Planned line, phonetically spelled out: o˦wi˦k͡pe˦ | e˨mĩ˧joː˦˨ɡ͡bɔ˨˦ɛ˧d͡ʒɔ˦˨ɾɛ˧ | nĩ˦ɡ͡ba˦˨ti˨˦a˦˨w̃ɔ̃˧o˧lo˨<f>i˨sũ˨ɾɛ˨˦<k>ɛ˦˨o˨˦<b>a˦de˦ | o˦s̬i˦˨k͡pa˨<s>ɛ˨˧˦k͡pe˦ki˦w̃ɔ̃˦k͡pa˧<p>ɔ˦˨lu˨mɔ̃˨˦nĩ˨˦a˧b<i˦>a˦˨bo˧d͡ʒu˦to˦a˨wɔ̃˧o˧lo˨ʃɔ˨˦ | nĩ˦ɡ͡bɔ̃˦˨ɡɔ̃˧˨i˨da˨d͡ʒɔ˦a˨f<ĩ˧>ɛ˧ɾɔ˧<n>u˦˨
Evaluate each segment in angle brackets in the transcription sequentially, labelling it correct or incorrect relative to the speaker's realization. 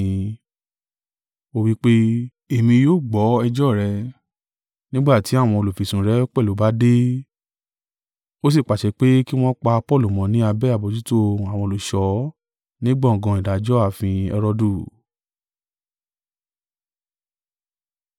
correct, incorrect: k͡p, correct, incorrect: ʃ, correct, incorrect: ɛ˦, correct, incorrect: d

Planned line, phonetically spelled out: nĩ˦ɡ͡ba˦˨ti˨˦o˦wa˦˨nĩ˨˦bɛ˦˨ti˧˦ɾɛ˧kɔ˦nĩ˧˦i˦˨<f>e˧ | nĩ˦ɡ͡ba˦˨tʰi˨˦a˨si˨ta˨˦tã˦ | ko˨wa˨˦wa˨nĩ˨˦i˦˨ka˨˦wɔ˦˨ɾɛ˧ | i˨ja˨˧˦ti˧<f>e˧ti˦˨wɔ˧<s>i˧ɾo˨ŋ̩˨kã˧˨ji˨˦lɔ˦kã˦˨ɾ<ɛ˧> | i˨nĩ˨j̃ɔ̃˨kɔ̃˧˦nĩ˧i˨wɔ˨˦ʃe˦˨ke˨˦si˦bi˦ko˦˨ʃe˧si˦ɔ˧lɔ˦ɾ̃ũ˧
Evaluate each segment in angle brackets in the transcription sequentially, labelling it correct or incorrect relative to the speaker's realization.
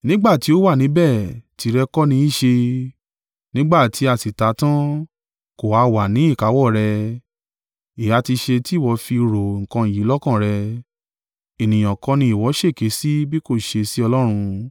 incorrect: ʃ, incorrect: ʃ, incorrect: f, correct

